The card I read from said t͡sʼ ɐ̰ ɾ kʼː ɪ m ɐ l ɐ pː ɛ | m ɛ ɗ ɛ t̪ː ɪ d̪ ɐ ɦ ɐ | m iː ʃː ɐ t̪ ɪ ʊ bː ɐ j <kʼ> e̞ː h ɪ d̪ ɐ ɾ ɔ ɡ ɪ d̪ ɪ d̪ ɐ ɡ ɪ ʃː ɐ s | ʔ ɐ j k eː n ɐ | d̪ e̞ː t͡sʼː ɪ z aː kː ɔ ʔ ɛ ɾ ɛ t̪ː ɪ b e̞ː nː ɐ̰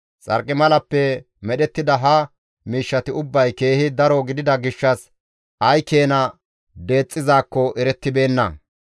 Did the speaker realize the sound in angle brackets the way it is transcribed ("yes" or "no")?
no